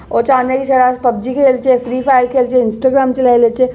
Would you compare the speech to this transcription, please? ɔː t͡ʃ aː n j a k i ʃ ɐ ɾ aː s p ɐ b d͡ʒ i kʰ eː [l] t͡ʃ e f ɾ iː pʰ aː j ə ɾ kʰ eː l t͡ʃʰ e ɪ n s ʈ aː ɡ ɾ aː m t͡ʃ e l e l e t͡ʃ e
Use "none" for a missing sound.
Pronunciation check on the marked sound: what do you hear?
l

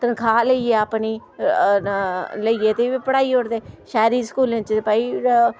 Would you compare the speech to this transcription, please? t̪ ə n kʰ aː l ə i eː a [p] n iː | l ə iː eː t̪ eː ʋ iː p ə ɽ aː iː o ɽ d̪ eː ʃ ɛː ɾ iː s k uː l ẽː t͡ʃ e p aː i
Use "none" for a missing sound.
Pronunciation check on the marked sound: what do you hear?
p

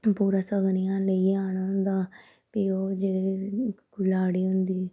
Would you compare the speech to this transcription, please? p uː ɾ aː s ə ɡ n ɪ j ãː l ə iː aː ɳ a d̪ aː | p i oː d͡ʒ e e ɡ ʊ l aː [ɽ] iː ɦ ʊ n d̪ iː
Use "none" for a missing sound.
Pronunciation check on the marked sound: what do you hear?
ɽ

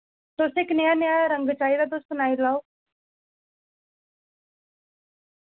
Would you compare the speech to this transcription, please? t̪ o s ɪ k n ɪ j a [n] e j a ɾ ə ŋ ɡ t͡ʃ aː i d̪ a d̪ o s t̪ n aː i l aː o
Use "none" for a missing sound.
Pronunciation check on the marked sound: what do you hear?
n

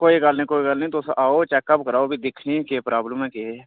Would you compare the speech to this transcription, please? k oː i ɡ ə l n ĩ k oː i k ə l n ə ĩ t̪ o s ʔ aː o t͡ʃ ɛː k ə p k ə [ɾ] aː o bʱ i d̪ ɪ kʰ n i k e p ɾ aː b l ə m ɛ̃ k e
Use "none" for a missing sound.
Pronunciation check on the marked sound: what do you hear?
ɾ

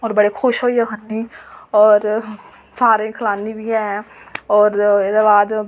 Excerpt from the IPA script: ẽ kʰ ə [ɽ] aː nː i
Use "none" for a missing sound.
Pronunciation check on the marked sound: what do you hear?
l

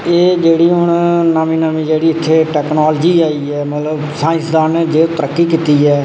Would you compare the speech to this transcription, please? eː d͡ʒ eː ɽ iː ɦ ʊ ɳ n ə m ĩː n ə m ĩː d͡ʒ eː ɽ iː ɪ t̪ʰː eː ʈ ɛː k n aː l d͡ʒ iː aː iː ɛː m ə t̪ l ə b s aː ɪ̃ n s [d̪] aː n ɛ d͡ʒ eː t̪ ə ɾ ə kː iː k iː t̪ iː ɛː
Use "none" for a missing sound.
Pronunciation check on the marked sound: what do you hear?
d̪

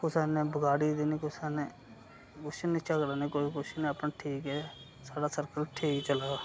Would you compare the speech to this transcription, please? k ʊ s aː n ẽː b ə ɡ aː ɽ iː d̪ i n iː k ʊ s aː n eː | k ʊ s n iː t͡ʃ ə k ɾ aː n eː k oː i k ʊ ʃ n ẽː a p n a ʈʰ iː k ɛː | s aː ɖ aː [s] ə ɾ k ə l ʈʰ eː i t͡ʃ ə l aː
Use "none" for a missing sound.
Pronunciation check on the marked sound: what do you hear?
s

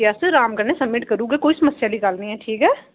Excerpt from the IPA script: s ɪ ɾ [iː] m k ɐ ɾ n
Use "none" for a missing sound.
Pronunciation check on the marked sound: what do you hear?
aː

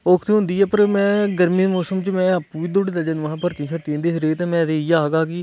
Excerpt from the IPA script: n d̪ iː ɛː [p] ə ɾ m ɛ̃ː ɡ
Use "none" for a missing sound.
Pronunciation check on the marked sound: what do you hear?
p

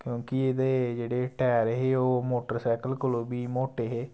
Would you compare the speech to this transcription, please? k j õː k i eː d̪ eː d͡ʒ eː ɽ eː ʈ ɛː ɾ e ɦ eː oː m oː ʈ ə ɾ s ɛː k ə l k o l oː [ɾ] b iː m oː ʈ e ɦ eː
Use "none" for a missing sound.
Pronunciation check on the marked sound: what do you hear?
none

